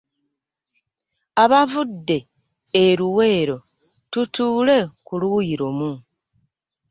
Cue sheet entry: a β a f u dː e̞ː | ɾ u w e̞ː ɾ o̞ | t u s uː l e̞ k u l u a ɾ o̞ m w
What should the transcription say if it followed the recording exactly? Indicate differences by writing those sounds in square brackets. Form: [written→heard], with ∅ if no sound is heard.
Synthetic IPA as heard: a β a [f→v] u dː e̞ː | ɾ u w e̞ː ɾ o̞ | t u [s→t] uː l e̞ k u l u [a→i] ɾ o̞ m [w→u]